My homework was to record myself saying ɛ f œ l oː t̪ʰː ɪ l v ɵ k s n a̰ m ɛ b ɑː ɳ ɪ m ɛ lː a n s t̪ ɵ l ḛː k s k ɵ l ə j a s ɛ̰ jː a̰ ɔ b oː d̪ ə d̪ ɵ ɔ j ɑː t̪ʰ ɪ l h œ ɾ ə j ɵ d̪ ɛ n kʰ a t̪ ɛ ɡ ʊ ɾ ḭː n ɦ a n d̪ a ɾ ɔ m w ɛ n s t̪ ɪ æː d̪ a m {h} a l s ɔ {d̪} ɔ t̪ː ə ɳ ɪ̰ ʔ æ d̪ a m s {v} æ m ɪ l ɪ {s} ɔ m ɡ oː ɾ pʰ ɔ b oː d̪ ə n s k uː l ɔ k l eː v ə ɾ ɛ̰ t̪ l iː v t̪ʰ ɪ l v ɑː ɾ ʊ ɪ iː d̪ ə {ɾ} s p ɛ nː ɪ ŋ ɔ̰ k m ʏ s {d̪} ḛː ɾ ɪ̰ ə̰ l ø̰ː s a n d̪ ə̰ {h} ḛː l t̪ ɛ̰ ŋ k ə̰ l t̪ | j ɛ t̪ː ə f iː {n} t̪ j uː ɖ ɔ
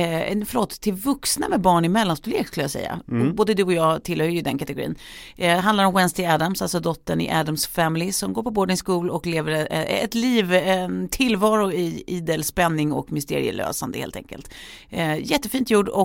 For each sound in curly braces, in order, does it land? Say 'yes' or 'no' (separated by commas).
no, yes, no, yes, no, no, yes, yes